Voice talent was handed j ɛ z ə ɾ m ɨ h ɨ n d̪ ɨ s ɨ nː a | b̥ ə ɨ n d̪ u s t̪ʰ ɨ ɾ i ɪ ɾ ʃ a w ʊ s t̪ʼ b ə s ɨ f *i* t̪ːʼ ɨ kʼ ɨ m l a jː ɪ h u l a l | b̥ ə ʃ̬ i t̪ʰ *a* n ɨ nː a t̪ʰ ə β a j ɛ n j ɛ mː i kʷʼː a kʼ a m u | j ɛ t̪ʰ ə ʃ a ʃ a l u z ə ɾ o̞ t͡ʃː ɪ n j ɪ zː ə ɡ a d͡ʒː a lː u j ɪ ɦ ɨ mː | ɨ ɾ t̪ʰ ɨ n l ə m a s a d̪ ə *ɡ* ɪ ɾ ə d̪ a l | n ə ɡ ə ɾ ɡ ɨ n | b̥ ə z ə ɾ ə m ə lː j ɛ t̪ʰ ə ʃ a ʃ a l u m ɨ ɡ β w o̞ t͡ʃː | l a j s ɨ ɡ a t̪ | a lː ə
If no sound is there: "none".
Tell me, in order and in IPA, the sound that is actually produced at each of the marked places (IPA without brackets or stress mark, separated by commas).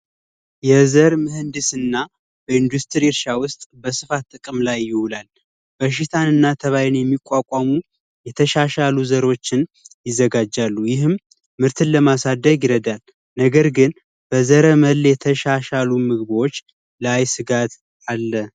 a, a, ɡ